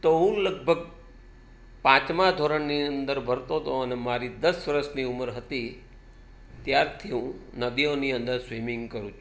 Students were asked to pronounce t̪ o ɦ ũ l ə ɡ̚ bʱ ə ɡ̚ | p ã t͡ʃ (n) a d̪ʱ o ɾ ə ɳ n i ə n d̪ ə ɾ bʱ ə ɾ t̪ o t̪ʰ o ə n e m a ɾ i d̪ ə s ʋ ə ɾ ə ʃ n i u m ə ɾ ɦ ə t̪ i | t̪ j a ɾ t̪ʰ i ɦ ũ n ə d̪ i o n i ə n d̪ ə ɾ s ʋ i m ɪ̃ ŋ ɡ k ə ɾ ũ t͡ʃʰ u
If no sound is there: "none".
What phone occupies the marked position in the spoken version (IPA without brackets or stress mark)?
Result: m